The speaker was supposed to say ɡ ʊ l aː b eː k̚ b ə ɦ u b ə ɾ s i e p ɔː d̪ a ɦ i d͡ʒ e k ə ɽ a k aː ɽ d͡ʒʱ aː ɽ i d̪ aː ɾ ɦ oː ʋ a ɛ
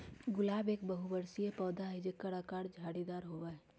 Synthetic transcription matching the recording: ɡ ʊ l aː b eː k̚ b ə ɦ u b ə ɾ s i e p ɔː d̪ a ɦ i d͡ʒ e k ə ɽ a k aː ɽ d͡ʒʱ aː ɽ i d̪ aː ɾ ɦ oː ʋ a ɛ